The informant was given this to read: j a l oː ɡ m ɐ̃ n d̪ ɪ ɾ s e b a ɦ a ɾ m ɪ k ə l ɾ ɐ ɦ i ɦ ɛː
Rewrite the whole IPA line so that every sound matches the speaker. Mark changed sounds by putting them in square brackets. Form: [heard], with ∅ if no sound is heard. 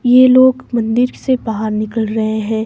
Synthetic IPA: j [e] l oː ɡ m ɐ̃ n d̪ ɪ ɾ s e b a ɦ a ɾ [n] ɪ k ə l ɾ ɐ ɦ [e] ɦ [ɛ̃ː]